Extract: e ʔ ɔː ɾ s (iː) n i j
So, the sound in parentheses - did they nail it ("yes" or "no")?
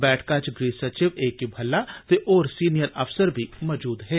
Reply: yes